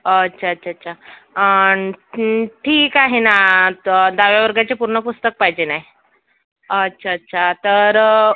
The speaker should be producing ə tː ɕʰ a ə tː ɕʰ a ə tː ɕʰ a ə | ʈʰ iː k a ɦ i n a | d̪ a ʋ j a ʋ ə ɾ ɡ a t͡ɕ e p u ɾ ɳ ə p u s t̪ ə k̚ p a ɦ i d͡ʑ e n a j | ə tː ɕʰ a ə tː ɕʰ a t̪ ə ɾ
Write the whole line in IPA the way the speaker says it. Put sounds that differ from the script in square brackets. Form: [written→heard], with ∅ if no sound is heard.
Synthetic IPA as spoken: ə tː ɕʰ a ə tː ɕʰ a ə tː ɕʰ a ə | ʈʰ iː k a ɦ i n a | d̪ a ʋ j a ʋ ə ɾ ɡ a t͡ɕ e p u ɾ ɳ ə p u s t̪ ə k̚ p a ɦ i d͡ʑ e n a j | ə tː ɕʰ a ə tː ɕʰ a t̪ ə ɾ